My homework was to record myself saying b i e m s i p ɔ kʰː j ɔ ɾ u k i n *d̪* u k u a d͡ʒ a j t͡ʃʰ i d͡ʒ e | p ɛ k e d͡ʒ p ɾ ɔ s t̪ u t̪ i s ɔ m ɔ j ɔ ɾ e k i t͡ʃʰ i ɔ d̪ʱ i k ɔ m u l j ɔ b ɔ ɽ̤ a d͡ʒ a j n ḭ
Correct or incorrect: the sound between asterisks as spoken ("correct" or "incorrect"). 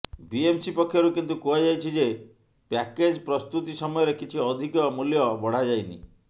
incorrect